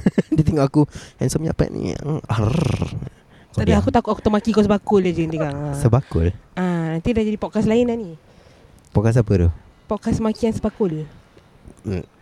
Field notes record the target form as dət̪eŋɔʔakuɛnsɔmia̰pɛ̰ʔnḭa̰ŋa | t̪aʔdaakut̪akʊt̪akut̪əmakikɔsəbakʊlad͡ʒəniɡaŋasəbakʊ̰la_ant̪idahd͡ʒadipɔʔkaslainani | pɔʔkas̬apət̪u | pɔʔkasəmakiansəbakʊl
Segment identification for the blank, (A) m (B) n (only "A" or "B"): B